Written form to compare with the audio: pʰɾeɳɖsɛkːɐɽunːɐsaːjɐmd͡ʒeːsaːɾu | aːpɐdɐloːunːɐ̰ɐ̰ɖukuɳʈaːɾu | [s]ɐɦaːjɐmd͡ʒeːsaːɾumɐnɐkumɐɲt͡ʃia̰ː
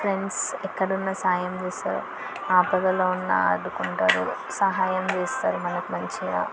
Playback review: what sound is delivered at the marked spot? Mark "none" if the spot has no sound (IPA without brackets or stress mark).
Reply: s